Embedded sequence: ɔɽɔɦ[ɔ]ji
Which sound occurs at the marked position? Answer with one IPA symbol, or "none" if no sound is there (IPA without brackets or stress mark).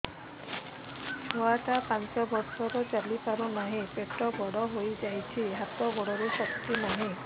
o